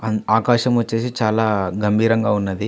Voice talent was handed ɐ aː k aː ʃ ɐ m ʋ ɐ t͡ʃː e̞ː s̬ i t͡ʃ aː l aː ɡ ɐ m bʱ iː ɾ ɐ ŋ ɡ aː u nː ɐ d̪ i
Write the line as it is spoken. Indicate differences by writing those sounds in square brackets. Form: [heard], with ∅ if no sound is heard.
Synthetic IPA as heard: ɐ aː k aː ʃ ɐ m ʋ ɐ t͡ʃː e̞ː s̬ i t͡ʃ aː l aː ɡ ɐ m bʱ iː ɾ ɐ ŋ ɡ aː u nː ɐ d̪ i